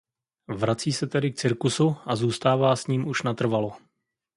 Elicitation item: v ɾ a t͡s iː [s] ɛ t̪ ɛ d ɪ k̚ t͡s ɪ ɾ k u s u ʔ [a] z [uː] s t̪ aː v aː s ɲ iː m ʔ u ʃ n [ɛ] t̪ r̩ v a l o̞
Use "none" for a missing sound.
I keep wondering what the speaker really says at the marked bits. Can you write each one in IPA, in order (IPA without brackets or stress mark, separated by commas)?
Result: s, a, uː, a